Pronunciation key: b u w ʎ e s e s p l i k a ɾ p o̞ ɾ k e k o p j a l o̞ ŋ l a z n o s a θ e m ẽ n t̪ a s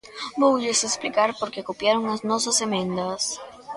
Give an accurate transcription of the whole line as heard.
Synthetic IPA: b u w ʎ e s e s p l i k a ɾ p o̞ ɾ k e k o p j a ɾ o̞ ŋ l a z n o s a s e m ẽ n d̪ a s